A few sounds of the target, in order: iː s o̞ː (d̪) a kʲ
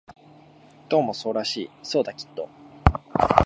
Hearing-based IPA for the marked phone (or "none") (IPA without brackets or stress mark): d̪